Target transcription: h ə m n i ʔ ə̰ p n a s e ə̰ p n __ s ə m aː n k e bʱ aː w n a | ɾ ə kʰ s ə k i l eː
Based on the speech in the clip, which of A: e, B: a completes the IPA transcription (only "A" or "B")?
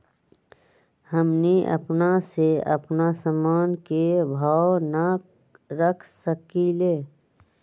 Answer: B